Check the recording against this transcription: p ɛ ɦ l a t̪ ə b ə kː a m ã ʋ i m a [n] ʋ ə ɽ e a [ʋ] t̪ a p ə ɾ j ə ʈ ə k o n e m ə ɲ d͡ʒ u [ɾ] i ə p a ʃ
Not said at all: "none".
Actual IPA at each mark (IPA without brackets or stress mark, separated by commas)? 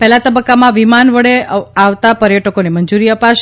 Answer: n, ʋ, ɾ